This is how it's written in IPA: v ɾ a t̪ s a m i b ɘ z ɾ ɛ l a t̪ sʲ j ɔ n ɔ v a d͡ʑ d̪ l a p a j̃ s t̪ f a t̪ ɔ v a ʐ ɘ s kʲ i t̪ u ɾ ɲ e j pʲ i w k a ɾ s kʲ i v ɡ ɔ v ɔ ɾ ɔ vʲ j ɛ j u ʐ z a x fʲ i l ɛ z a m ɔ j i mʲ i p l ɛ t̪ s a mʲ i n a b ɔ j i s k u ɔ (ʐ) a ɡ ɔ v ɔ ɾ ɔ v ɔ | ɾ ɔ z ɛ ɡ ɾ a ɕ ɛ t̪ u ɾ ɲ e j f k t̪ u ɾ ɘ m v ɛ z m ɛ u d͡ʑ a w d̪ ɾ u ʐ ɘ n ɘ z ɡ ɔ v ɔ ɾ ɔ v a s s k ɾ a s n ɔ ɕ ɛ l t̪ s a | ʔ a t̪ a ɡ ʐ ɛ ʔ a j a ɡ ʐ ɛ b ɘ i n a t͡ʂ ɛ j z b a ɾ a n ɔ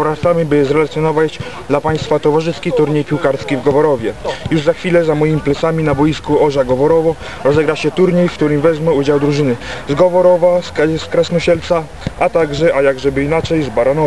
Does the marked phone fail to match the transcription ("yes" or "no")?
no